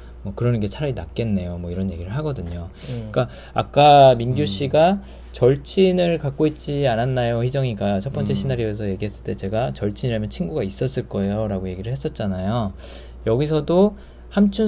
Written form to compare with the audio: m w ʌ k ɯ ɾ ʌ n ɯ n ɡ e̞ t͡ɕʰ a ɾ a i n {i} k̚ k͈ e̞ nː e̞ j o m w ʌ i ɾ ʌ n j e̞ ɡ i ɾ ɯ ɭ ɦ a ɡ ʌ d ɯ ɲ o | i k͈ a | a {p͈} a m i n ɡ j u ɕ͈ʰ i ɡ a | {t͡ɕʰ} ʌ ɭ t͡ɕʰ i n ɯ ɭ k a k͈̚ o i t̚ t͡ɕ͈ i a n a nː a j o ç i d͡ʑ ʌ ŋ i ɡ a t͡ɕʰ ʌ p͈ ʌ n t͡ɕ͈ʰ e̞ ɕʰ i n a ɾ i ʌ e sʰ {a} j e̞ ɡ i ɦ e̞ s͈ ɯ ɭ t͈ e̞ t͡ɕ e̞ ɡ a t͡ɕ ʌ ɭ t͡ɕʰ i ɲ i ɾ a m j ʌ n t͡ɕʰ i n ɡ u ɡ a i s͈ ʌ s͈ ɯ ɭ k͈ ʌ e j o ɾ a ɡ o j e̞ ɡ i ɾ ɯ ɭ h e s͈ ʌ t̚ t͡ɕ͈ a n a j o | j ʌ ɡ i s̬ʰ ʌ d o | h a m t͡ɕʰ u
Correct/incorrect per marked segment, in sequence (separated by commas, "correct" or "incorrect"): incorrect, incorrect, incorrect, incorrect